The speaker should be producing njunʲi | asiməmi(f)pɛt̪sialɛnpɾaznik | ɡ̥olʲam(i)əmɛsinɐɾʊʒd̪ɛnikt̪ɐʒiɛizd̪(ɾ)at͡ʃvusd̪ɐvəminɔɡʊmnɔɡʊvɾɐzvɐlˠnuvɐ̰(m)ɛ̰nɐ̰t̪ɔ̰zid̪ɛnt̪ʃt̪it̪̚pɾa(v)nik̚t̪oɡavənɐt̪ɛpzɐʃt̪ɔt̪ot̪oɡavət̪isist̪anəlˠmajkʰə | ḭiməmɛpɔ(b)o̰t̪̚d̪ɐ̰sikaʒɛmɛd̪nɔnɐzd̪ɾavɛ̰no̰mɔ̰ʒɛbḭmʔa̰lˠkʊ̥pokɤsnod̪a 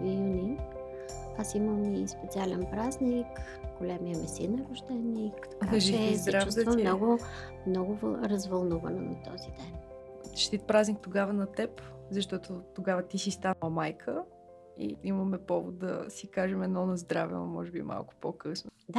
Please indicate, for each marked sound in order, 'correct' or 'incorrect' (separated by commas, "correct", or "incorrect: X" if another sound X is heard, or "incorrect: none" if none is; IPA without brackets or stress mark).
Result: incorrect: s, correct, correct, incorrect: n, incorrect: z, incorrect: v